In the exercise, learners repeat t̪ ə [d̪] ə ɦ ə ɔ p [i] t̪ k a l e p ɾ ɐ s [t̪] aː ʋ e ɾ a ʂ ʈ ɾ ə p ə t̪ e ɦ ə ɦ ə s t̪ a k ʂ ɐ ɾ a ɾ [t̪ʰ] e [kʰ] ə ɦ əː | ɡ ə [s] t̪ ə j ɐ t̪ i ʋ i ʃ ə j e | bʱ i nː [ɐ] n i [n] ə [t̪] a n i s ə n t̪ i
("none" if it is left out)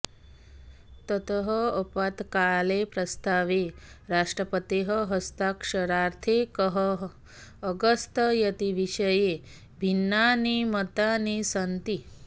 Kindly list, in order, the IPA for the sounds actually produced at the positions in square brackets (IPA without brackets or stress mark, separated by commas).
t̪, a, t̪, t̪ʰ, k, s, a, m, t̪